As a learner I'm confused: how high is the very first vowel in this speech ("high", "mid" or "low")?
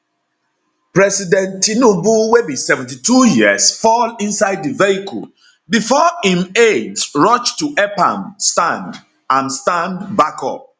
mid